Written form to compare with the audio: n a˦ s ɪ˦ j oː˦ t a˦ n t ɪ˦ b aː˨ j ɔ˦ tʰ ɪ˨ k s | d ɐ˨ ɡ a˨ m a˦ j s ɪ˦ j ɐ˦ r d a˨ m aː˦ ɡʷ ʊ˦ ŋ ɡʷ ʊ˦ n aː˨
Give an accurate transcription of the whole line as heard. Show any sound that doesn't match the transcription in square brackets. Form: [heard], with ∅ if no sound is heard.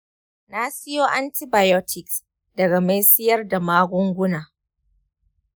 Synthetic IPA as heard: n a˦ s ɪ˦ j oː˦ [ʔ] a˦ n t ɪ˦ b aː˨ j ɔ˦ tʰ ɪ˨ k s | d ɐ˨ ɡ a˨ m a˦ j s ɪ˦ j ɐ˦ r d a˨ m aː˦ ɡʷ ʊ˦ ŋ ɡʷ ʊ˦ n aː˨